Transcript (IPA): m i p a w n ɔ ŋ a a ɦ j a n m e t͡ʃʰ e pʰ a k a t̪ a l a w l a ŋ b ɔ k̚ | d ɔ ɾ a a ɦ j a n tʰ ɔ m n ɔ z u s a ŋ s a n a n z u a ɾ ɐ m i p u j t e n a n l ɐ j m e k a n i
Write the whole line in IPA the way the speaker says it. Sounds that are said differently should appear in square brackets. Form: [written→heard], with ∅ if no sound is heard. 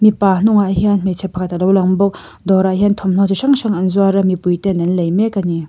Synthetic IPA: m i p a [w→∅] n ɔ ŋ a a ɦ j a n m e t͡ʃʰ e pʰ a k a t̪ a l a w l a ŋ b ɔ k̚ | d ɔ ɾ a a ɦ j a n tʰ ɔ m n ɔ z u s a ŋ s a [n→ŋ] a n z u a ɾ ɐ m i p u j t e n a n l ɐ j m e k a n i